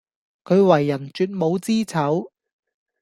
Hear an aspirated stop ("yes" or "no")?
yes